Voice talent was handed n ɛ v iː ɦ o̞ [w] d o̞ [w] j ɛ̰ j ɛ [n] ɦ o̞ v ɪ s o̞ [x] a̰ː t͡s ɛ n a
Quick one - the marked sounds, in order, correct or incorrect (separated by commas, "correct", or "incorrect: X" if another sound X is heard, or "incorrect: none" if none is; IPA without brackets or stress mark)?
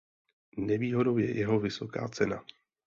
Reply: incorrect: none, correct, incorrect: none, incorrect: k